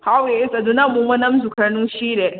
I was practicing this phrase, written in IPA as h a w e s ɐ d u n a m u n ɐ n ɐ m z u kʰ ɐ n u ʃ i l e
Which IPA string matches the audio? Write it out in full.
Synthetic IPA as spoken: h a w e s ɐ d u n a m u m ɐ n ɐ m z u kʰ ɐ n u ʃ i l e